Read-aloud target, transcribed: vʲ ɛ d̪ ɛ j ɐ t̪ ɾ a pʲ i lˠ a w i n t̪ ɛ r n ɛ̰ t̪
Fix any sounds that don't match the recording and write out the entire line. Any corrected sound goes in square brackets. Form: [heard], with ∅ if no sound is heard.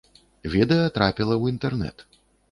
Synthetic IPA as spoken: vʲ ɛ d̪ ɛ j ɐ t̪ ɾ a pʲ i lˠ [ɐ] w i n t̪ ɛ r n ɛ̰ t̪